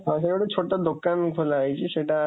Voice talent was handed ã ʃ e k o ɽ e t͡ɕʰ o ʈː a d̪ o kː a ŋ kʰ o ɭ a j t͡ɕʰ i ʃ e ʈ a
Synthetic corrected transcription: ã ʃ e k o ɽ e t͡ɕʰ o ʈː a d̪ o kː a n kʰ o l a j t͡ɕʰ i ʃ e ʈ a